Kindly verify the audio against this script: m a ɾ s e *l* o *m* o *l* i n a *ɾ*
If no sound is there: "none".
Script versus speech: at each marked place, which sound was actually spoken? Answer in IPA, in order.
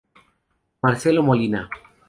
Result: l, m, l, none

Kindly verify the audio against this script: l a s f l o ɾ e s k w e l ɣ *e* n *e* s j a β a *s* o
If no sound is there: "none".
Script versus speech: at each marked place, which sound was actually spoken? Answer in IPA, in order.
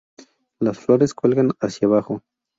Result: a, a, x

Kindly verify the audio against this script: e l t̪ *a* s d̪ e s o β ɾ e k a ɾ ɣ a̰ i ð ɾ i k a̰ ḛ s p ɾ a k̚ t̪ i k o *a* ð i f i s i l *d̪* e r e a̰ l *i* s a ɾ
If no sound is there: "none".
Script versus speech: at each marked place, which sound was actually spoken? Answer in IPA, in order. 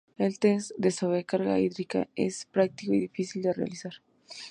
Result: e, i, d̪, i

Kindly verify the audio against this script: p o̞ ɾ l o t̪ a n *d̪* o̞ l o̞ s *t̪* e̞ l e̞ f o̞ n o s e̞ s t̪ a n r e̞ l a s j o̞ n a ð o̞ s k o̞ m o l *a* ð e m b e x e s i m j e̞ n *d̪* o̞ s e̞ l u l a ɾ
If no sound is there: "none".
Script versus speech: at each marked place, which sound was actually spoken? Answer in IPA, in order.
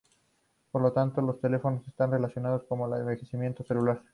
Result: t̪, t̪, a, t̪

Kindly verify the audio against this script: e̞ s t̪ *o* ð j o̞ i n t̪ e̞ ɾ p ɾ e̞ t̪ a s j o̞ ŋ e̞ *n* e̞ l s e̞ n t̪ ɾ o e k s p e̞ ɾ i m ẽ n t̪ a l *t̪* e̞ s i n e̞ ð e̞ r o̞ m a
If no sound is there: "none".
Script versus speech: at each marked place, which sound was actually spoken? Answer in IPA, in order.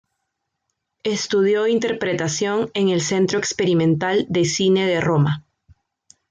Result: u, ŋ, d̪

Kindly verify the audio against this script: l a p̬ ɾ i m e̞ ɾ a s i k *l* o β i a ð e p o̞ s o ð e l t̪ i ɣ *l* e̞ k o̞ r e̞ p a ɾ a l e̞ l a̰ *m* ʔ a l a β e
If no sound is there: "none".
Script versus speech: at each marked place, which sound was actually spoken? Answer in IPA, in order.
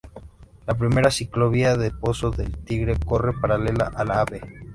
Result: l, ɾ, none

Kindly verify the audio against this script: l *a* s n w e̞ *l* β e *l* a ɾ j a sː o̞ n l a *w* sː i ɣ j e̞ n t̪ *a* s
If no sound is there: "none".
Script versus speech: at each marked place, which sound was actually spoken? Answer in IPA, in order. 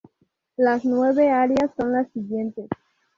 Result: a, none, none, none, e

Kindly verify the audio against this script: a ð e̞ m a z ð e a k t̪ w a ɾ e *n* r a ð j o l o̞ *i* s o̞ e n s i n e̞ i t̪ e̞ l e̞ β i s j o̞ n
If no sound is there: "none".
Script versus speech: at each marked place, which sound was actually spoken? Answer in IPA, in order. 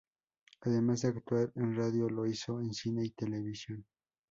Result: n, i

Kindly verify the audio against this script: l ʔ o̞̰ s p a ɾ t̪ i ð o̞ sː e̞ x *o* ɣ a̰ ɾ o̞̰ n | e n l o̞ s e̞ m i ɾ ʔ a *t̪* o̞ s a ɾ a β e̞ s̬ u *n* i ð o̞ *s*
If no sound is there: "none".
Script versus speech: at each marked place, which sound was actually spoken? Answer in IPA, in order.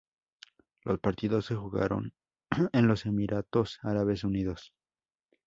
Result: u, t̪, n, s

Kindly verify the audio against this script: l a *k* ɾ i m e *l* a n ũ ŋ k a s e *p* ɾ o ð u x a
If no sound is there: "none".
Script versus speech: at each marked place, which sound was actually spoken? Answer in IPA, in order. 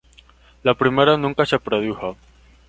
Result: p, ɾ, p

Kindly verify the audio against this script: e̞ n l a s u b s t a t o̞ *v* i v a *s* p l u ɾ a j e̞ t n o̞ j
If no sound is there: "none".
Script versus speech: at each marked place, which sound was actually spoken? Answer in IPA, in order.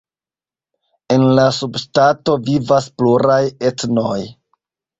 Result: v, s

